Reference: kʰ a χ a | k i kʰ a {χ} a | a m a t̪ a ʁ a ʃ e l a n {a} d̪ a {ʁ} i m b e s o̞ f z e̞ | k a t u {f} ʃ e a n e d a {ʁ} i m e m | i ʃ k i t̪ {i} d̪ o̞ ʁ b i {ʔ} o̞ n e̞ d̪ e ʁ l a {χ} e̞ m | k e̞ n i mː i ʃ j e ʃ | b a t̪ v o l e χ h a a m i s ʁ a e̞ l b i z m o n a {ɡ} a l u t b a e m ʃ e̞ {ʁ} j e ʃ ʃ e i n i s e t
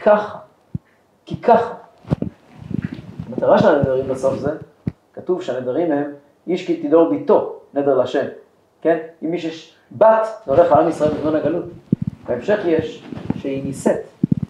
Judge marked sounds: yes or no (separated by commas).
yes, no, yes, no, yes, yes, no, no, yes, no